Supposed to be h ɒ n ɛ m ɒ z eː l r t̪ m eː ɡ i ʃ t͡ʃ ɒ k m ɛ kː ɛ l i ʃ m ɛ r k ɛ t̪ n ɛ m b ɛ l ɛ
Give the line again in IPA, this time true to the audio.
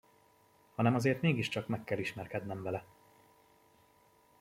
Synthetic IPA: h ɒ n ɛ m ɒ z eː r t̪ m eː ɡ i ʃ t͡ʃ ɒ k m ɛ kː ɛ l i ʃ m ɛ r k ɛ d̪ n ɛ m v ɛ l ɛ

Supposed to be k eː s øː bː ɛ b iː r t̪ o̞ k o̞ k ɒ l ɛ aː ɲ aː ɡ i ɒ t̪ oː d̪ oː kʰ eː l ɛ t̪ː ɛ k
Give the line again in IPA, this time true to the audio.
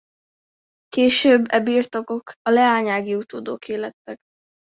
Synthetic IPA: k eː ʃ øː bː ɛ b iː r t̪ o̞ k o̞ k ɒ l ɛ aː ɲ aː ɡ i u t̪ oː d̪ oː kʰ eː l ɛ t̪ː ɛ k

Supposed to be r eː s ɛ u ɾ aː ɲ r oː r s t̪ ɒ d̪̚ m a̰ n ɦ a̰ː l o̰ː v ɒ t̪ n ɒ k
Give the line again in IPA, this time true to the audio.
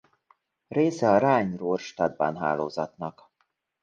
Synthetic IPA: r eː s ɛ ɒ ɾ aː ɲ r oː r ʃ t̪ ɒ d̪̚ b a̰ n ɦ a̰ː l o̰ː z ɒ t̪ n ɒ k

